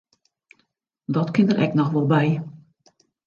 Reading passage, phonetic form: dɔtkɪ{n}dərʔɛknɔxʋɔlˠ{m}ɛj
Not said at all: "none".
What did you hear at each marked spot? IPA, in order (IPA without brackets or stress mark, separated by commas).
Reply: n, b